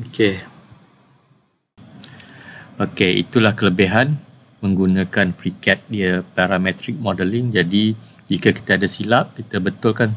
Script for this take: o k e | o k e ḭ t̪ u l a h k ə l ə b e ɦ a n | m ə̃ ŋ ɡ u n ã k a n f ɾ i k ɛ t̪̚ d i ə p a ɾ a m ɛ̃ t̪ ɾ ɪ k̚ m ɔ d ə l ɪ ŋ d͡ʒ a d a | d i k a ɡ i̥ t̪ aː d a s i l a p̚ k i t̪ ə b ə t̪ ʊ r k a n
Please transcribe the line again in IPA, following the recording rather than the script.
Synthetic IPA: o k e | o k e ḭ t̪ u l a h k ə l ə b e ɦ a n | m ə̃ ŋ ɡ u n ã k a n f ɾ i k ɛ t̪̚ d i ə p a ɾ a m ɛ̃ t̪ ɾ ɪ k̚ m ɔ d ə l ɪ ŋ d͡ʒ a d i | d͡ʒ i k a k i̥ t̪ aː d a s i l a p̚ k i t̪ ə b ə t̪ ʊ l k a n